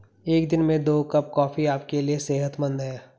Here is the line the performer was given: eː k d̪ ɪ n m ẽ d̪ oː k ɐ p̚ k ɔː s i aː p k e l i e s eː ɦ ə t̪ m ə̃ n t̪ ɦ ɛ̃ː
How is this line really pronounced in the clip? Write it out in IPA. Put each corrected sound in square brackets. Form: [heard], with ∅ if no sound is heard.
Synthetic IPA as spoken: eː k d̪ ɪ n m ẽ d̪ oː k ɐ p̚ k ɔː [f] i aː p k e l i e s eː ɦ ə t̪ m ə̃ n [d̪] ɦ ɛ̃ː